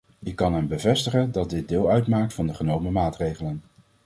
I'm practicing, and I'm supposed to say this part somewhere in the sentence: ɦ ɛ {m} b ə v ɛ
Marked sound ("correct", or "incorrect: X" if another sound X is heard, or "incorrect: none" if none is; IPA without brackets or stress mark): correct